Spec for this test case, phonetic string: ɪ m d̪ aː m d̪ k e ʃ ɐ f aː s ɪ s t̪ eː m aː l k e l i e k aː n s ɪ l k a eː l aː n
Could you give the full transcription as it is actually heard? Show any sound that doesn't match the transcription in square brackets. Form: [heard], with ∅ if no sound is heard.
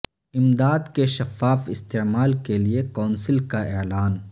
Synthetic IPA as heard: ɪ m d̪ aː [∅] d̪ k e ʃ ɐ f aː [f] ɪ s t̪ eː m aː l k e l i e k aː n s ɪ l k a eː l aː n